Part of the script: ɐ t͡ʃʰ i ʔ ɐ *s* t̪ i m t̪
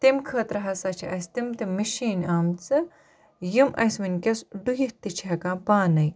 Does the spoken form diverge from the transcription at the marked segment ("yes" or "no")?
no